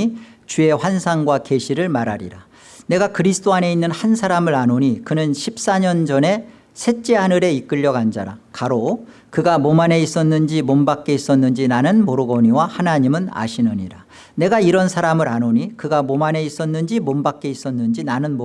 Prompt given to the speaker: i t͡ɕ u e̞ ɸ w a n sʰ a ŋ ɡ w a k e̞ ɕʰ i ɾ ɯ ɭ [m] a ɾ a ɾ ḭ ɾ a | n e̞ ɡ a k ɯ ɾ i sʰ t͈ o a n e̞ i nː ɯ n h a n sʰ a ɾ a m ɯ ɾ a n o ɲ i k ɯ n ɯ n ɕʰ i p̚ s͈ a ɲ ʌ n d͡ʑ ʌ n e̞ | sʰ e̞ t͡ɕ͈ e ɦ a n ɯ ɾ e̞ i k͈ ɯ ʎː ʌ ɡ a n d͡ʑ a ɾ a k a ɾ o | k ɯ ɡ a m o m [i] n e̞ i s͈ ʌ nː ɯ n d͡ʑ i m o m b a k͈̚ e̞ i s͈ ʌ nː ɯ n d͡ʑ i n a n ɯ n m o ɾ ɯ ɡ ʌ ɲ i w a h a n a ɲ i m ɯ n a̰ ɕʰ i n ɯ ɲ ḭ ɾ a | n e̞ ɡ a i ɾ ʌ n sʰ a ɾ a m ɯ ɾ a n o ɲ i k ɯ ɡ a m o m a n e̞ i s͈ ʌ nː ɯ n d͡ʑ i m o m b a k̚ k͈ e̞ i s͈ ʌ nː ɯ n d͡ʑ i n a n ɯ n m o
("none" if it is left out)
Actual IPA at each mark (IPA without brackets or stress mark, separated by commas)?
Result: m, a